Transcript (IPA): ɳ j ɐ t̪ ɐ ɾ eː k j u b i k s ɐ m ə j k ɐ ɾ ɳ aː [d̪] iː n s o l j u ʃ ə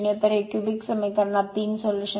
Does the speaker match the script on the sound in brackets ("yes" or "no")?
no